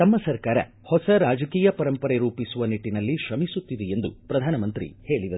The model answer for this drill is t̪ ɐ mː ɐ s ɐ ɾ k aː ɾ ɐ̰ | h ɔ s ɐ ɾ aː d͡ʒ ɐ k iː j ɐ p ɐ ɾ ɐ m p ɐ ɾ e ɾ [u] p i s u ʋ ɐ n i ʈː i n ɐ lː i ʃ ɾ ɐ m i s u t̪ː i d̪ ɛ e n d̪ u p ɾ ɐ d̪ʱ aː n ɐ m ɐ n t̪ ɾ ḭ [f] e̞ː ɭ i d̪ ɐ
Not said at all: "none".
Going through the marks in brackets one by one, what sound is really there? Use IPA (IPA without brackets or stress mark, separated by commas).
uː, h